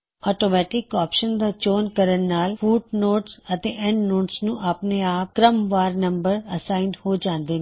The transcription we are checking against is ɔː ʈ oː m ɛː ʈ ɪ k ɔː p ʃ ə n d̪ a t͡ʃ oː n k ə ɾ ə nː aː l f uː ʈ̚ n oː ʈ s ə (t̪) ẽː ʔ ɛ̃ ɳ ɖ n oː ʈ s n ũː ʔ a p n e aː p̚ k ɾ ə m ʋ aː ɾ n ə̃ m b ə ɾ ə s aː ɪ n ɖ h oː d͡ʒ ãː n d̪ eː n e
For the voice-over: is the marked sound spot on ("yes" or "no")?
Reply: yes